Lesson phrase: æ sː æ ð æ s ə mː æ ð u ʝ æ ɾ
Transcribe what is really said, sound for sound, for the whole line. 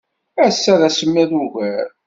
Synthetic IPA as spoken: æ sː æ ð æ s ə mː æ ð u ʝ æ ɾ